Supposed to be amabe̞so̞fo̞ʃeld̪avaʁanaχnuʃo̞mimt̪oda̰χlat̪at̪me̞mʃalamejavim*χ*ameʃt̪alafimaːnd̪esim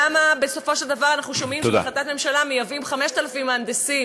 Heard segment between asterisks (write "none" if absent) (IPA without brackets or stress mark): χ